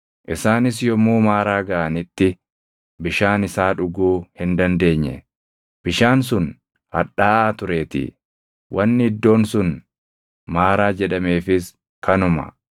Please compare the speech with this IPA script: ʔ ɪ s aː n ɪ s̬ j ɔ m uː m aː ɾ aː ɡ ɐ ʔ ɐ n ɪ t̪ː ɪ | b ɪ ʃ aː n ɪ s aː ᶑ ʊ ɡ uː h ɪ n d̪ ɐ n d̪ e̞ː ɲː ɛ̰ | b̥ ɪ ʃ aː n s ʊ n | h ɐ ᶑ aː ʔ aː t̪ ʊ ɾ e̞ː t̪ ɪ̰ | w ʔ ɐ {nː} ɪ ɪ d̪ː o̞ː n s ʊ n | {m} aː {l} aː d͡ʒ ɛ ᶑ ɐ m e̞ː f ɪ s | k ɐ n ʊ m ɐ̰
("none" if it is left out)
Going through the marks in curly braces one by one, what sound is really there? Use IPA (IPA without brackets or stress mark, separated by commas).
nː, m, ɾ